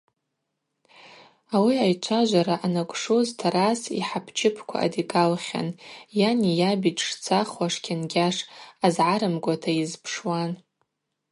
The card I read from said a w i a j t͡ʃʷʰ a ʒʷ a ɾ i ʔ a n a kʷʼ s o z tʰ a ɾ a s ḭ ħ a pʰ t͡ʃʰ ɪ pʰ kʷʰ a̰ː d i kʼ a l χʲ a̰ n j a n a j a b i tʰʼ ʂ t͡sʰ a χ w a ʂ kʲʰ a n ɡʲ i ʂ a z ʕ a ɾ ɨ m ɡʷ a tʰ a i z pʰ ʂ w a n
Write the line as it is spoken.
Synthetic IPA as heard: a w i a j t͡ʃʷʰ a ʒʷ a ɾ a ʔ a n a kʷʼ ʂ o z tʰ a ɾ a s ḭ ħ a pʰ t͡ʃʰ ɪ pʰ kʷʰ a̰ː d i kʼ a l χʲ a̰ n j a n i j a b i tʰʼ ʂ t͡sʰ a χ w a ʂ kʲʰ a n ɡʲ a ʂ a z ʕ a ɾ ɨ m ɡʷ a tʰ a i z pʰ ʂ w a n